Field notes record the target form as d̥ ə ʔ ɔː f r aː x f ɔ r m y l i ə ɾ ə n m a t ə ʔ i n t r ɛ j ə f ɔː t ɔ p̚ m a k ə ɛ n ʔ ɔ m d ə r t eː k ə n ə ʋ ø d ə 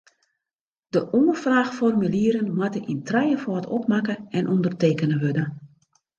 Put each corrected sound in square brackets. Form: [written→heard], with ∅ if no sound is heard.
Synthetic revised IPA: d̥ ə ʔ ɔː f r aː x f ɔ r m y l i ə ɾ ə n m a t ə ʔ i n t r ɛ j ə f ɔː t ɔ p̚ m a k ə ɛ n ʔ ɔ [m→n] d ə r t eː k ə n ə ʋ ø d ə